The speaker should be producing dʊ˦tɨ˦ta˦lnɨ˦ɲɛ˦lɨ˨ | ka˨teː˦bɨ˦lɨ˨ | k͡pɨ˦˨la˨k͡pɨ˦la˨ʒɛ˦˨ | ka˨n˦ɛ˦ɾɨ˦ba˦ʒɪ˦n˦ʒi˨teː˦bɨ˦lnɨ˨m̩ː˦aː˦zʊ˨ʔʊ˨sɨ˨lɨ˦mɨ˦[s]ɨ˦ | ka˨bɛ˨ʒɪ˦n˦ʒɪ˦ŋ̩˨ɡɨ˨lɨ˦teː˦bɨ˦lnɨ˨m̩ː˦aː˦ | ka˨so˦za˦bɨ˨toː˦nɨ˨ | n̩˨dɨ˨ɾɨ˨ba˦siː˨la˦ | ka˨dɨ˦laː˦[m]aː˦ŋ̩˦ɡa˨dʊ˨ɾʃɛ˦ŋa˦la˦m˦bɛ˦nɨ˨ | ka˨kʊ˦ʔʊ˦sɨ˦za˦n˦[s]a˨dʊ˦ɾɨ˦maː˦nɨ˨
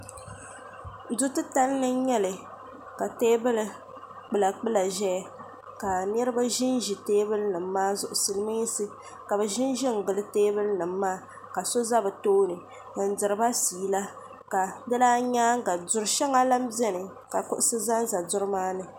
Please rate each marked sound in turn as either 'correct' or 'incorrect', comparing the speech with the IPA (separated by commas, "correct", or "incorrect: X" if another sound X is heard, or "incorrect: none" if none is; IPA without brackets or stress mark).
correct, incorrect: ɲ, incorrect: z